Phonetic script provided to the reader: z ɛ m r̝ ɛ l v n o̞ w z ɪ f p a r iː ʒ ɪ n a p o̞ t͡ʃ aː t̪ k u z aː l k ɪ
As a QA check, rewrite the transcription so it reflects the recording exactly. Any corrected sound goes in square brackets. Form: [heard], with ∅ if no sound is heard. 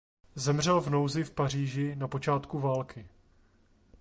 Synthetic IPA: z ɛ m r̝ ɛ l v n o̞ w z ɪ f p a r iː ʒ ɪ n a p o̞ t͡ʃ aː t̪ k u [v] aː l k ɪ